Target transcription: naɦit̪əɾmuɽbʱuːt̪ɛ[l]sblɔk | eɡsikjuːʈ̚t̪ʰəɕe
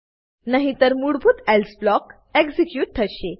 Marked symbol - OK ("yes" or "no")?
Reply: yes